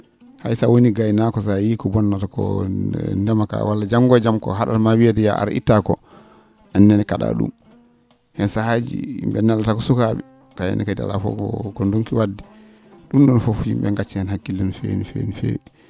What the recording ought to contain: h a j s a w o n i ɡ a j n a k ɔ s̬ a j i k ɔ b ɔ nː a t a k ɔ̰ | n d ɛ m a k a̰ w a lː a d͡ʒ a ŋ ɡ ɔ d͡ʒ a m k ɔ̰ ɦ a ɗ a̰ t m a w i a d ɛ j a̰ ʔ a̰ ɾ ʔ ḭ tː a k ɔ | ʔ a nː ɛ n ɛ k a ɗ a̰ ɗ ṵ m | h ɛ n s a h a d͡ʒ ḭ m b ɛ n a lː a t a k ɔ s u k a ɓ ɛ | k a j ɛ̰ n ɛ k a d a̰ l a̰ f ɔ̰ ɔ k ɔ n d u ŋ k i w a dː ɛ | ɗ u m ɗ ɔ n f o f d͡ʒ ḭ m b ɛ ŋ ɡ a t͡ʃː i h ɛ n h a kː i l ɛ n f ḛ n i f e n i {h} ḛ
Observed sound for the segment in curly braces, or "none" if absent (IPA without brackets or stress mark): f